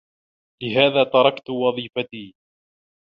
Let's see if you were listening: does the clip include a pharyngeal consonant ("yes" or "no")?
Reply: no